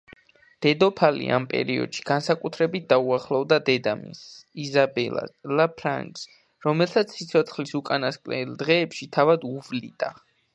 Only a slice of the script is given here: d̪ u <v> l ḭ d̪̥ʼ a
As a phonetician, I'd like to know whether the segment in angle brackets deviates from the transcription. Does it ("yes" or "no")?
no